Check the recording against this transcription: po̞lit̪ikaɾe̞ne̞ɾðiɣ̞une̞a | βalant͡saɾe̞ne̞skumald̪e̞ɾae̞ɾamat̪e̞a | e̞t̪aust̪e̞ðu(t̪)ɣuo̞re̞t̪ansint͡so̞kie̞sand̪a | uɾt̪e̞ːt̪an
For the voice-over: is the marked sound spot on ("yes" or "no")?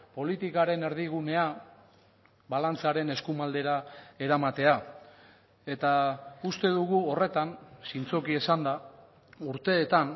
no